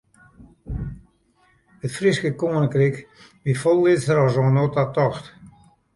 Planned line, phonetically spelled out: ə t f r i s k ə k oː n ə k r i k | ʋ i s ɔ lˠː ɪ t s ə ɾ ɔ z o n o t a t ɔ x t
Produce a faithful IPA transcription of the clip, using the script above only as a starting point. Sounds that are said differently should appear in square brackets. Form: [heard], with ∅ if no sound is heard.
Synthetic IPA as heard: ə t f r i s k ə k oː n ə k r i k | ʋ i [f] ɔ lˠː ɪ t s ə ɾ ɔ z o n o t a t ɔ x t

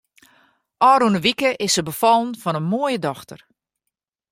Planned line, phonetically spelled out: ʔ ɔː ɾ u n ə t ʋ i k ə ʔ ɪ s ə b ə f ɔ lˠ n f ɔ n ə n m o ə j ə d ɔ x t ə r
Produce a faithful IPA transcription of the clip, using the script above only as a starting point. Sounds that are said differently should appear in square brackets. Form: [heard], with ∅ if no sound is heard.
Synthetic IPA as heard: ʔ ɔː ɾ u n ə [∅] ʋ i k ə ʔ ɪ s ə b ə f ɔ lˠ n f ɔ n ə n m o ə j ə d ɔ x t ə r

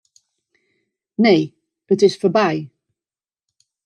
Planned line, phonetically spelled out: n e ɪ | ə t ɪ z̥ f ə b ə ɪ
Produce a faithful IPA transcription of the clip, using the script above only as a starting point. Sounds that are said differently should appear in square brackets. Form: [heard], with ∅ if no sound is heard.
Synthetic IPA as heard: n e ɪ | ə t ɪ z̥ f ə b [a] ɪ

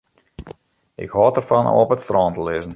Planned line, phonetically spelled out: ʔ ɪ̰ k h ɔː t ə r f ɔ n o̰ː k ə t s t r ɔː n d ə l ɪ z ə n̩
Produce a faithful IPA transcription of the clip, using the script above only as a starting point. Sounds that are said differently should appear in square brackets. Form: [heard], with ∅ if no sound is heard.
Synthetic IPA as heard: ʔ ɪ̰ k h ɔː t ə r f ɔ n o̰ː [p] ə t s t r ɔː n [t] ə l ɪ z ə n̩

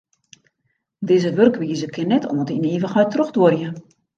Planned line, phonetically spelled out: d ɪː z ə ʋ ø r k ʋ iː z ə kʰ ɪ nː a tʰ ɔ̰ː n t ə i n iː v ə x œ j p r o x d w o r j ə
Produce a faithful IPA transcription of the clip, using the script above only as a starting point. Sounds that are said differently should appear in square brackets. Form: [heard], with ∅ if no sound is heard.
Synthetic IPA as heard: d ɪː z ə ʋ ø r k ʋ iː z ə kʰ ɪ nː [ɛ] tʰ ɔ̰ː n t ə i n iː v ə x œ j [t] r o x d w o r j ə

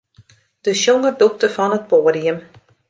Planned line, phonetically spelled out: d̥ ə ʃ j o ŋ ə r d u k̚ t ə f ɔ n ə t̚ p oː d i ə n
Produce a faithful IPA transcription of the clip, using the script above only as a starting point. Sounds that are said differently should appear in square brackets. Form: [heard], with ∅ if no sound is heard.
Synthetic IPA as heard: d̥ ə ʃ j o ŋ ə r d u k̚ t ə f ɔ n ə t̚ p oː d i ə [m]

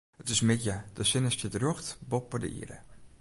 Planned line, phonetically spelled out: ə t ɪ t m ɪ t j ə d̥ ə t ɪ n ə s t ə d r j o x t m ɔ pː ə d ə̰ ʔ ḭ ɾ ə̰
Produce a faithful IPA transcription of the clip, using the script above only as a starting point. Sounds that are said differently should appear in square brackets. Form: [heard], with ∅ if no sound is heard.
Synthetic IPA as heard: ə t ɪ [s] m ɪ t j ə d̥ ə [s] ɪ n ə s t ə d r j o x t [b] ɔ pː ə d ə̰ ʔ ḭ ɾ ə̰

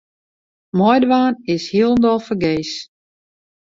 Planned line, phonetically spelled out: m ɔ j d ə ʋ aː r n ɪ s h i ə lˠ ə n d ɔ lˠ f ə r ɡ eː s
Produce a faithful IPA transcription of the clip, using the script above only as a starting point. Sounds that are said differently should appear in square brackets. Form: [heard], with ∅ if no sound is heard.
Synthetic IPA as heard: m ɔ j d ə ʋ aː [∅] n ɪ s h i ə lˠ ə n d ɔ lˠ f ə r ɡ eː s

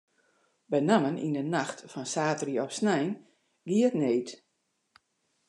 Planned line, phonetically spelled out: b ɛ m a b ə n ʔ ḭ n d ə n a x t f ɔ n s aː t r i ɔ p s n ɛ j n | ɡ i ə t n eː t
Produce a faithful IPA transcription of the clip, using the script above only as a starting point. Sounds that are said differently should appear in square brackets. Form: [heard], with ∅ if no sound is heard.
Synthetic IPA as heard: b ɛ [n] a [m] ə n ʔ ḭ n d ə n a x t f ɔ n s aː t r i ɔ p s n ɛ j n | ɡ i ə t n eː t

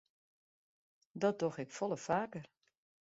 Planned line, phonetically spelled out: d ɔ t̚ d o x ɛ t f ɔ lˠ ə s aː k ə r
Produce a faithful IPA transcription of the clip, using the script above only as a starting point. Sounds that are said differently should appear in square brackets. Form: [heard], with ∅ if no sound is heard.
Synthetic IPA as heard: d ɔ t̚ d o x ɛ [k] f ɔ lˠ ə [f] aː k ə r

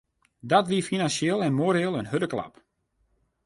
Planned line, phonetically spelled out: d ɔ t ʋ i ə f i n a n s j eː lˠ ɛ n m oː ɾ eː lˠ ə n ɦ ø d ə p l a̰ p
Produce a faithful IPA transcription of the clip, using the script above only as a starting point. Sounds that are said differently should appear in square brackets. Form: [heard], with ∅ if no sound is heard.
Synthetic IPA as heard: d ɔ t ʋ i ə f i n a n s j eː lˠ ɛ n m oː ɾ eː lˠ ə n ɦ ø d ə [k] l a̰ p

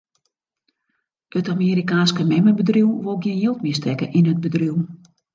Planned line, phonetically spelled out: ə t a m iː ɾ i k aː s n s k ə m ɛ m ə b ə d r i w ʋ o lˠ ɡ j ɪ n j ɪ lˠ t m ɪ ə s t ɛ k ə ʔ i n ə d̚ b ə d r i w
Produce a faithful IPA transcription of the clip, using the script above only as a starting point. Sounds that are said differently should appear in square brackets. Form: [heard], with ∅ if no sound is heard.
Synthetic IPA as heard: ə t a m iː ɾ i k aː [∅] n s k ə m ɛ m ə b ə d r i w ʋ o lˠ ɡ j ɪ n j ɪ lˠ t m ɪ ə s t ɛ k ə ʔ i n ə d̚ b ə d r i w

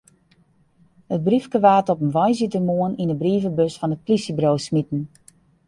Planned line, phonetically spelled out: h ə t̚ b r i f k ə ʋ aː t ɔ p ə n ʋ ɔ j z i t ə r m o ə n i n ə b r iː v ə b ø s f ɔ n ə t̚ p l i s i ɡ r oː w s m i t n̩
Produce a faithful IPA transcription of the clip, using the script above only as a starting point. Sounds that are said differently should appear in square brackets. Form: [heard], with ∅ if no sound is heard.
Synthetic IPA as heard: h ə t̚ b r i f k ə ʋ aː t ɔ p ə n ʋ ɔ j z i t ə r m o ə n i n ə b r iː v ə b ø s f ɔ n ə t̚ p l i s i [b] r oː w s m i t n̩

